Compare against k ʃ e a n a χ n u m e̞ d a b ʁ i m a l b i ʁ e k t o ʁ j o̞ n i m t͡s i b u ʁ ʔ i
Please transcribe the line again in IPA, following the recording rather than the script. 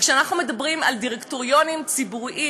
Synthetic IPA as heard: k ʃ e a n a χ n u m e̞ d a b ʁ i m a l d i ʁ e k t o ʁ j o̞ n i m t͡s i b u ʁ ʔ i